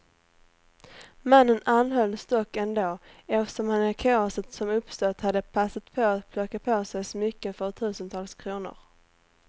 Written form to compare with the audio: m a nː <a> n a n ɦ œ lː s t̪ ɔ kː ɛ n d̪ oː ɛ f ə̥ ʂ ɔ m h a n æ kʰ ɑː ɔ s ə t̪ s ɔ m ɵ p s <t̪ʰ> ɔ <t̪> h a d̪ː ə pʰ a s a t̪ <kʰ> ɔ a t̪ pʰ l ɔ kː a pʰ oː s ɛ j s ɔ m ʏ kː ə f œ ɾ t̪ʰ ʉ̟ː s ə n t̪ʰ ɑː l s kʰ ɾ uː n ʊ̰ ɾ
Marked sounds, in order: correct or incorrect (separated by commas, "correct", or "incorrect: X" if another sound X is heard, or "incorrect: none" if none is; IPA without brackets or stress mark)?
incorrect: ə, incorrect: t̪, correct, incorrect: pʰ